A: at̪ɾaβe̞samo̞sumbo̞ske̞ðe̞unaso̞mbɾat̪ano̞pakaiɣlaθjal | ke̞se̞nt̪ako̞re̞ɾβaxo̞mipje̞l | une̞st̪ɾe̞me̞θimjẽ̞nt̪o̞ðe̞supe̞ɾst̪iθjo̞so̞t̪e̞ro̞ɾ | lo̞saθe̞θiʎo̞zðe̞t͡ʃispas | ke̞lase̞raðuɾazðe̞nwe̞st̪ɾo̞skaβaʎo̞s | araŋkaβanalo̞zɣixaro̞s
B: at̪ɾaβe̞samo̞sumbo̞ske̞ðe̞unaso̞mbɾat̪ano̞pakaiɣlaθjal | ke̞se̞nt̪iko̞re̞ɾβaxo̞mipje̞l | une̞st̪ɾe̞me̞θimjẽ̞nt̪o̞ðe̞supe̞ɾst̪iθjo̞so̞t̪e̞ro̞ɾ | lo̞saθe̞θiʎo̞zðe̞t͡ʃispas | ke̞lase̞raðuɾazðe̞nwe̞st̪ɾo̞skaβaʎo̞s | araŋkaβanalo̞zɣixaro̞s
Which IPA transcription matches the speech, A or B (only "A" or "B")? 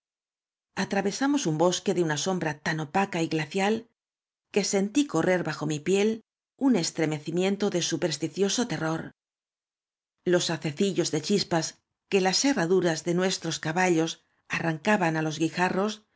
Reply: B